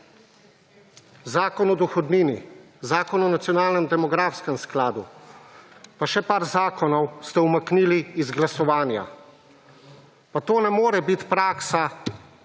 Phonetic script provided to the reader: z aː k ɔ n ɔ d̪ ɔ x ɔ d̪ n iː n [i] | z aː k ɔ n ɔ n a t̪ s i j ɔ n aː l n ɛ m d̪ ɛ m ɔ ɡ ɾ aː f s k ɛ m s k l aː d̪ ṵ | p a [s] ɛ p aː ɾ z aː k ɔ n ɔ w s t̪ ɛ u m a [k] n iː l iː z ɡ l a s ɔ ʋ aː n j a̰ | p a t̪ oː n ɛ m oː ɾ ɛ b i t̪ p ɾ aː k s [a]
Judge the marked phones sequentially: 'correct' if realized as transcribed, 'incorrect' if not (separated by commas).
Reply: correct, incorrect, correct, correct